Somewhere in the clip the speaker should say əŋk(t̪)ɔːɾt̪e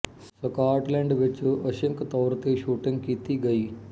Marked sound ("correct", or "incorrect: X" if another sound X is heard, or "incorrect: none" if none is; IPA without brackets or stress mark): correct